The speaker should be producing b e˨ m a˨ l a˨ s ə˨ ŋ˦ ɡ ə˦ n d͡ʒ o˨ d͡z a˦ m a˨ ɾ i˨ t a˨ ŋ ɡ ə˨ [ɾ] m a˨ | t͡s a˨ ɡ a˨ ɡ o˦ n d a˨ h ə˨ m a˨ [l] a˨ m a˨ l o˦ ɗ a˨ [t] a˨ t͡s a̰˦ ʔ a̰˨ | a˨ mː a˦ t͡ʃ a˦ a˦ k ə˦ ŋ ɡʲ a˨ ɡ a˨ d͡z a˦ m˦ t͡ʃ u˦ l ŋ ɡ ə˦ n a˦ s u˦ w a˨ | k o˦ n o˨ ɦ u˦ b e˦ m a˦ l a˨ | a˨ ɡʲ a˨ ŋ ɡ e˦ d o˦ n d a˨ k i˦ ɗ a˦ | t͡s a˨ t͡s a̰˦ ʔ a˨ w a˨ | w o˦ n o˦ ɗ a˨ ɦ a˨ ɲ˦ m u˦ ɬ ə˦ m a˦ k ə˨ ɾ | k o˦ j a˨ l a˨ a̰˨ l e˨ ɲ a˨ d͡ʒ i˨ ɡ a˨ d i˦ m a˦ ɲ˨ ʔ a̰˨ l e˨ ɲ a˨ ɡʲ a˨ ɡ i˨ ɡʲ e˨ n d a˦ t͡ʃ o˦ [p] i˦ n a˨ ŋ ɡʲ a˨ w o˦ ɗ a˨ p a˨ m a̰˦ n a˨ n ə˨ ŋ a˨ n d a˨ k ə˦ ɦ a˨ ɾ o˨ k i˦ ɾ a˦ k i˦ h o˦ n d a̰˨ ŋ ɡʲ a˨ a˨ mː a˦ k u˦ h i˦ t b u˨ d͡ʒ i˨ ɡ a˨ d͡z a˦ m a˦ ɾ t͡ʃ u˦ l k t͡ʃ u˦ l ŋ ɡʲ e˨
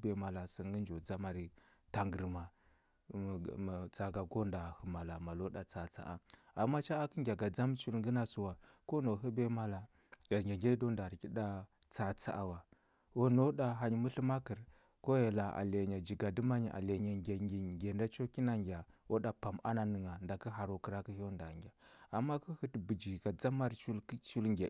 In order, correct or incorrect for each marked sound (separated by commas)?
correct, correct, incorrect, incorrect